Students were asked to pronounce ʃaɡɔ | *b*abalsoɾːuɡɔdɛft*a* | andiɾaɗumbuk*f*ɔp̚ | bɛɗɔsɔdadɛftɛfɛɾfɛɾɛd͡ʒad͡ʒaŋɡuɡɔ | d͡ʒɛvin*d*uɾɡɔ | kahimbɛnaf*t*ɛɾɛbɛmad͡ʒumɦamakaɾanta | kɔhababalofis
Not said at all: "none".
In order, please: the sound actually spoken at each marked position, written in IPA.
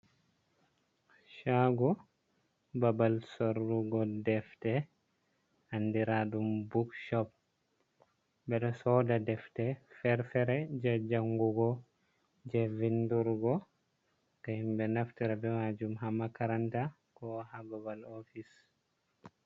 b, ɛ, ʃ, d, t

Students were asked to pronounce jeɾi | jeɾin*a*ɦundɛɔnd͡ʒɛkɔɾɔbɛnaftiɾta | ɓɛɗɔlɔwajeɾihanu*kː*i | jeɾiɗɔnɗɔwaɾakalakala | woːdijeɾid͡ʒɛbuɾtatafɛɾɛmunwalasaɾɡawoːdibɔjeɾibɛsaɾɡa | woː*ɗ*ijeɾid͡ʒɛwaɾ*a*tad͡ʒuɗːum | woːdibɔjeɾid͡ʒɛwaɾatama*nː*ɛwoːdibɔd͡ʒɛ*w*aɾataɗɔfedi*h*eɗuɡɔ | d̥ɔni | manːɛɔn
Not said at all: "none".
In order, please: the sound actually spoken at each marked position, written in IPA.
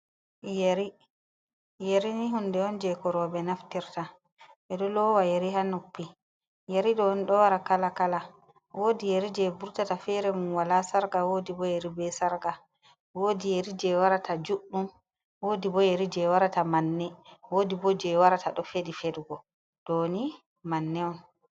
i, pː, d, a, nː, w, f

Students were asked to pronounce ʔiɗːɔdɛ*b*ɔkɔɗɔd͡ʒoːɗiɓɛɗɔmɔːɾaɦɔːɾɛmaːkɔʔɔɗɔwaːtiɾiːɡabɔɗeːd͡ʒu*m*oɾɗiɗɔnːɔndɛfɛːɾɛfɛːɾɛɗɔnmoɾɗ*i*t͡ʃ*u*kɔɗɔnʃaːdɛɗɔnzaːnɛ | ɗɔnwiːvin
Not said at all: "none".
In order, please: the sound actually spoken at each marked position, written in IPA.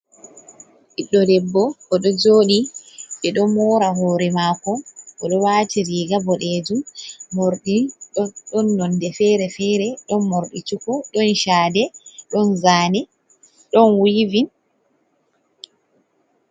bː, m, i, u

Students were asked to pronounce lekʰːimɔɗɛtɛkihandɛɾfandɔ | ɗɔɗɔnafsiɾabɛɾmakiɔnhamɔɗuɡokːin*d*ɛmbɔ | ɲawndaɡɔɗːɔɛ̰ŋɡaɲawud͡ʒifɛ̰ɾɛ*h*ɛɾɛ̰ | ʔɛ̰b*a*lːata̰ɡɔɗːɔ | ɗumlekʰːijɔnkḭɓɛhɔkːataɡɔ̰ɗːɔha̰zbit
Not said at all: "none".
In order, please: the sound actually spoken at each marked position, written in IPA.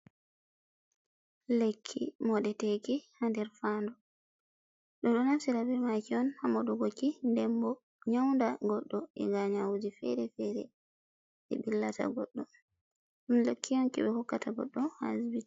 d, f, i

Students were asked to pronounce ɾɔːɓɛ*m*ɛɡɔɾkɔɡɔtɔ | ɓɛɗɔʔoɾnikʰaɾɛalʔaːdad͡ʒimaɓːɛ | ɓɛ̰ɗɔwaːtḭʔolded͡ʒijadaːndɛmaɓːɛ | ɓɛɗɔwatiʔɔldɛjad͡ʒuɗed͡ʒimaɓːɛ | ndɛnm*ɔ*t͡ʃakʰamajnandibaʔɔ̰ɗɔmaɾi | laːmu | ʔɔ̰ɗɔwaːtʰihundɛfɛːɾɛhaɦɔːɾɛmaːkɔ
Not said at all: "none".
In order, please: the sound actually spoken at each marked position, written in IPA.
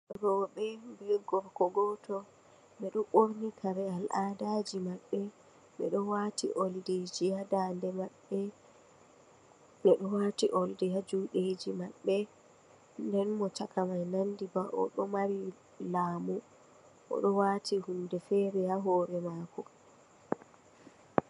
b, ɔ

